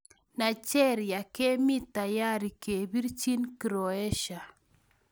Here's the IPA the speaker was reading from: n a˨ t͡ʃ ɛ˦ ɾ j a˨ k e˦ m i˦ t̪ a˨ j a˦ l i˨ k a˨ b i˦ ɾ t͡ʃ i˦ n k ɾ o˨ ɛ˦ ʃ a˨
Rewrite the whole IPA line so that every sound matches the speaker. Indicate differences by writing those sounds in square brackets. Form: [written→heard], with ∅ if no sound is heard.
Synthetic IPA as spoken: n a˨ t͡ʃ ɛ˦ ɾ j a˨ k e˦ m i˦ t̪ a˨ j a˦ [l→ɾ] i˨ k [a˨→e˨] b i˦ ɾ t͡ʃ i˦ n k ɾ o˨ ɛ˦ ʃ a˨

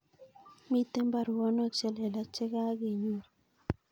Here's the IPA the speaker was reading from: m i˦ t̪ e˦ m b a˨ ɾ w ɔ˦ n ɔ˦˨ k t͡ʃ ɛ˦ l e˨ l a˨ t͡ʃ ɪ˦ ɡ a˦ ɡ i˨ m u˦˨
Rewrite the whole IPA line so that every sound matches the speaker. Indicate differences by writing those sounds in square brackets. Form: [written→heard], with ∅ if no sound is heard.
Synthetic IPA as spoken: m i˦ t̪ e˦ m b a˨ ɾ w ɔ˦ n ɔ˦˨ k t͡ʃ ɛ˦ l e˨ l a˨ t͡ʃ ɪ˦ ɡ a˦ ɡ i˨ [m→ɲ] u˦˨

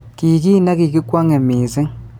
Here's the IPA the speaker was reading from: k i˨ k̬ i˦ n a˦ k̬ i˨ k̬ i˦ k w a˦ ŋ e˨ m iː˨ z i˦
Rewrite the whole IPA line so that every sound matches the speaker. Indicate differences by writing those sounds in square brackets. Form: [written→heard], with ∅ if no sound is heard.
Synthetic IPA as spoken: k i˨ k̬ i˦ n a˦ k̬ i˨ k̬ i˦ k w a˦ ŋ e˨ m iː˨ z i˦

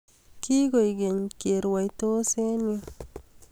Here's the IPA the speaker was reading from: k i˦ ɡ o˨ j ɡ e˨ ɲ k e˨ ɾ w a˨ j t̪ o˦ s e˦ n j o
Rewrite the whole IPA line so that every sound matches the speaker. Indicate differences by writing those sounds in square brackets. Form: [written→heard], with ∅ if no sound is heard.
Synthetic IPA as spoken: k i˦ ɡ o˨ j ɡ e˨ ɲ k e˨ ɾ w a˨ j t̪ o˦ s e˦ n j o

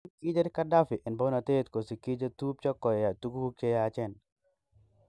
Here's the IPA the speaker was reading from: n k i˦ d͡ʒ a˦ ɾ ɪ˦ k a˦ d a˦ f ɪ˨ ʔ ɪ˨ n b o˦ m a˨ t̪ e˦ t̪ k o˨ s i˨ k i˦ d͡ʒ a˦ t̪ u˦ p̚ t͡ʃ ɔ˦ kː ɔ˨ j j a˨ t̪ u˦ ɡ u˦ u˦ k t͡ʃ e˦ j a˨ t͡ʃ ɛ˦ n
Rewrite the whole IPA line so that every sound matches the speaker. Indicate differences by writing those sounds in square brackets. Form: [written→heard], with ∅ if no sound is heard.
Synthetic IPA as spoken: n k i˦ d͡ʒ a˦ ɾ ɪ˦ k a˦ d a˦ f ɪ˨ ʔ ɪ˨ n b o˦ [m→n] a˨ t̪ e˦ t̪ k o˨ s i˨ k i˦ d͡ʒ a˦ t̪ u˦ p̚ t͡ʃ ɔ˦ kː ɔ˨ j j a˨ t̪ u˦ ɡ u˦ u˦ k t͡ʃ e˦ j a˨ t͡ʃ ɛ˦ n

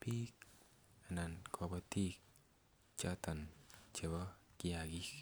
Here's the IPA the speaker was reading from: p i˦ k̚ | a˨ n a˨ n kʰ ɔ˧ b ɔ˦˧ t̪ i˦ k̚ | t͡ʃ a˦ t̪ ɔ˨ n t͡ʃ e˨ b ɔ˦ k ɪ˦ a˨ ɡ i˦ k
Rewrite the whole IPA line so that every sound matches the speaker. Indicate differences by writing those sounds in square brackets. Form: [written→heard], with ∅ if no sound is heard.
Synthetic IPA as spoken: p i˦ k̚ | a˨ n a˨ n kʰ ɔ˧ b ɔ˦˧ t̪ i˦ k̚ | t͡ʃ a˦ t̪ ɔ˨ n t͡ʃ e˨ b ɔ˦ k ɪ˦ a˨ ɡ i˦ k

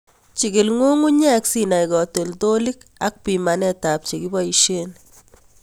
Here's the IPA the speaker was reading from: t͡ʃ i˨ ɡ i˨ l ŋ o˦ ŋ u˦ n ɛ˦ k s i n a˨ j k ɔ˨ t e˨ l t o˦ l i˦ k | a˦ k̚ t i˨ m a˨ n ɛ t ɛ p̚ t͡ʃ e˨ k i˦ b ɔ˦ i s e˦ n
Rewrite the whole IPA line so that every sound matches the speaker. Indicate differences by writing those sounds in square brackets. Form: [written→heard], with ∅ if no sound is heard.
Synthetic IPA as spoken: t͡ʃ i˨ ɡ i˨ l ŋ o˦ ŋ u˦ [n→ɲ] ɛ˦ k s i n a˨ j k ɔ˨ t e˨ l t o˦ l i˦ k | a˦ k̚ [t→p] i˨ m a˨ n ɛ t [ɛ→a] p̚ t͡ʃ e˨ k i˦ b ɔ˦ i [s→ʃ] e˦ n

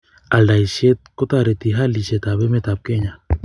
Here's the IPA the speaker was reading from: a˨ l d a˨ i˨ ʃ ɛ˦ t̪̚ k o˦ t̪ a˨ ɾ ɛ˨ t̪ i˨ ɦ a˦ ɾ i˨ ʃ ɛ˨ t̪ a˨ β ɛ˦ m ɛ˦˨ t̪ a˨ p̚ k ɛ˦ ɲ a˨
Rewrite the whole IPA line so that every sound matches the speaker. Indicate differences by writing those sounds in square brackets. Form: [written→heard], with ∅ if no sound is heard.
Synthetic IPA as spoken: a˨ l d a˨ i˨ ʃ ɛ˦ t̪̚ k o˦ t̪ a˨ ɾ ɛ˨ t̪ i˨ ɦ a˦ [ɾ→l] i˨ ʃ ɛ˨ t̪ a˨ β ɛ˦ m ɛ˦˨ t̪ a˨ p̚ k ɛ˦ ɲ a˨

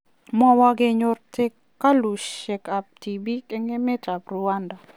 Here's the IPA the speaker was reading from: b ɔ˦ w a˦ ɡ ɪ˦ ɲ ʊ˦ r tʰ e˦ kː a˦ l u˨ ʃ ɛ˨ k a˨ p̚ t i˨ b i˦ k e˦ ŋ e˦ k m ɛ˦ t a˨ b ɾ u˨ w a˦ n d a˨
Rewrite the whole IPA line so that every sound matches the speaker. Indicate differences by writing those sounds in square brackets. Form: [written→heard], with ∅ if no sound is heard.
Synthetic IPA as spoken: [b→m] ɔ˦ w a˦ ɡ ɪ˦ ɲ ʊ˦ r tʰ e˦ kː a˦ l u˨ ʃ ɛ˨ k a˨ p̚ t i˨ b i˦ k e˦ ŋ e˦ [k→∅] m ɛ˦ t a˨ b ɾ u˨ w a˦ n d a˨

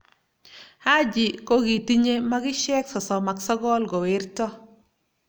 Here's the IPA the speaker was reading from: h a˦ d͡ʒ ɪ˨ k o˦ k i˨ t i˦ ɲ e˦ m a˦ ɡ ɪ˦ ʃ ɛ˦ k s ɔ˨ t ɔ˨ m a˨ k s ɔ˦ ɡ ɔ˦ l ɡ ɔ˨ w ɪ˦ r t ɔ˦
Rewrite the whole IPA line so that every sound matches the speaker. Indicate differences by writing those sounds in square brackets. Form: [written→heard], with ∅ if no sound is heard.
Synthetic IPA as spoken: h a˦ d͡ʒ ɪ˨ k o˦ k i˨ t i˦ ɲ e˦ m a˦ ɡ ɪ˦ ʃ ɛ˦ k s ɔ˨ [t→s] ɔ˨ m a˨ k s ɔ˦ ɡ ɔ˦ l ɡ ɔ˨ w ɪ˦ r t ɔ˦

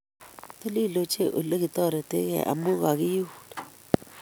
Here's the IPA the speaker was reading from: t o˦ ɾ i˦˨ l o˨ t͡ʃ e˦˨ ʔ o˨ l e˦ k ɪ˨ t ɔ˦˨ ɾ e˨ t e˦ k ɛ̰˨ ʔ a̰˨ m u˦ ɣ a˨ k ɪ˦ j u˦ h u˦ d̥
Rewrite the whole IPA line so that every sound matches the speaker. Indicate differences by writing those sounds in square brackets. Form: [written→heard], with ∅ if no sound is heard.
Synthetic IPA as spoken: t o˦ [ɾ→l] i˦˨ l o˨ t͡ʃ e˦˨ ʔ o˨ l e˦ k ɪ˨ t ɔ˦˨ ɾ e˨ t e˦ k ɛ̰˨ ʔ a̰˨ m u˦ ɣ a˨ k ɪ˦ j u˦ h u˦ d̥

